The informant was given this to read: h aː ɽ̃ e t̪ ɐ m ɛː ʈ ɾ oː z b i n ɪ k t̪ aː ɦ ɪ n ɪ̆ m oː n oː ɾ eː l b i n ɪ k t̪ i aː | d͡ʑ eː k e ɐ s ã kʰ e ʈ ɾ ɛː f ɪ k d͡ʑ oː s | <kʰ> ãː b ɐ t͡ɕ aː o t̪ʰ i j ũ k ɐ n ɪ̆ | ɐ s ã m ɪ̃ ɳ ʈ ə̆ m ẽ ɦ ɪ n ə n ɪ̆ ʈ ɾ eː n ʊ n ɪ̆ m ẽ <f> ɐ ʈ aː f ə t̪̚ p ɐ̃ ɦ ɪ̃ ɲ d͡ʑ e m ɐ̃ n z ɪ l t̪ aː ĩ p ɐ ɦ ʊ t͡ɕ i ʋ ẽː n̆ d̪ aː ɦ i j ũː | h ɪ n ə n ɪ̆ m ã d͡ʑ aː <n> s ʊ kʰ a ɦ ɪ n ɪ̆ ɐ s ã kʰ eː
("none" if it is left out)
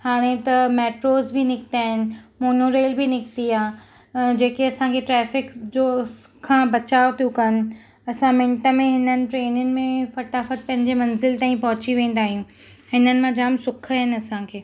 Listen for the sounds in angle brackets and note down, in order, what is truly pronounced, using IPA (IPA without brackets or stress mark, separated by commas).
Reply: kʰ, f, m